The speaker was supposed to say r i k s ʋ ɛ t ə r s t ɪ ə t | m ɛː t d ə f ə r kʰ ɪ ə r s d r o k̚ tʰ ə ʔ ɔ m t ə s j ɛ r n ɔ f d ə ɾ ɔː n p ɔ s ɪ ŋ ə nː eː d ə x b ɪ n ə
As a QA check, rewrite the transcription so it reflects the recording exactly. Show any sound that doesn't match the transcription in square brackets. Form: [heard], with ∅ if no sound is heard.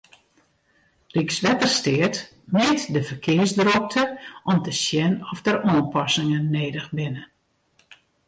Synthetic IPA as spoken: r i k s ʋ ɛ t ə r s t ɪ ə t | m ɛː t d ə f ə r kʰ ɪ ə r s d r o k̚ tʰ ə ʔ ɔ m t ə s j ɛ [∅] n ɔ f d ə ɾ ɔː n p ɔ s ɪ ŋ ə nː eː d ə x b ɪ n ə